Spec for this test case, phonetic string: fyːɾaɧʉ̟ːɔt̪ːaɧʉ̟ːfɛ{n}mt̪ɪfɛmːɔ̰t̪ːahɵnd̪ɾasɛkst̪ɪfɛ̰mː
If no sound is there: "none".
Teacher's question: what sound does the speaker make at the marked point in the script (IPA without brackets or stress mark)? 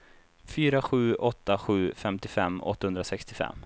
none